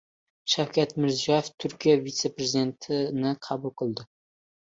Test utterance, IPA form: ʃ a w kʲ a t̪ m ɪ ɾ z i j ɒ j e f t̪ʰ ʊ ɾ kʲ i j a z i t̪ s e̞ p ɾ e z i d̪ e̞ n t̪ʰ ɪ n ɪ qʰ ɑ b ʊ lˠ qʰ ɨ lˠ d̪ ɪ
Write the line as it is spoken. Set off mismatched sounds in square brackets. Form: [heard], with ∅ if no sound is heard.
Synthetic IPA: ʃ a w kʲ a t̪ m ɪ ɾ z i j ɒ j e f t̪ʰ ʊ ɾ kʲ i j a [v] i t̪ s e̞ p ɾ e z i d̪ e̞ n t̪ʰ ɪ n ɪ qʰ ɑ b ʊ lˠ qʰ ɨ lˠ d̪ ɪ